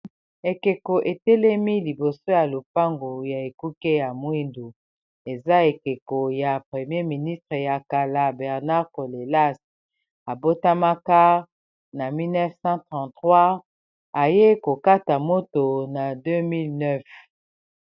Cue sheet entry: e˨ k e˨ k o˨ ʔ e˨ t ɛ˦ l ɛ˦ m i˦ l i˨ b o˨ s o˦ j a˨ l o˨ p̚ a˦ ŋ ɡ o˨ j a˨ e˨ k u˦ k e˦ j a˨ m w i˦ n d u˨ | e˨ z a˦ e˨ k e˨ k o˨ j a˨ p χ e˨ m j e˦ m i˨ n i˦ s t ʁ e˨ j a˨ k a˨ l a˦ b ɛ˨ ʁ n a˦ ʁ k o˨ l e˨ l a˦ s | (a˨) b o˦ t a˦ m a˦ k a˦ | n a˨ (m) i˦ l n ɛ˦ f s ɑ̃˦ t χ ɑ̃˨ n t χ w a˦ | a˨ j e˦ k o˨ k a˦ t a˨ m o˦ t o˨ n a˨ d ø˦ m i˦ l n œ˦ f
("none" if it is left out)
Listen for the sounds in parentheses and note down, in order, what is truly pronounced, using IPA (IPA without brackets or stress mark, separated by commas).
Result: a˨, m